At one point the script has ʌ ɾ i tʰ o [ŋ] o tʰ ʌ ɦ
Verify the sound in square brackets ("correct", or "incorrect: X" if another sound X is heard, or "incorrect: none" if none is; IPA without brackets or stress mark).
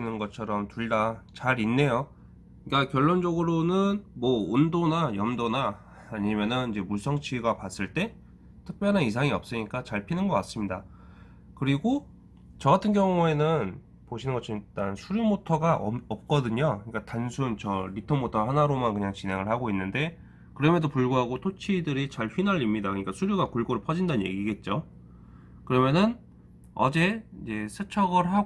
incorrect: m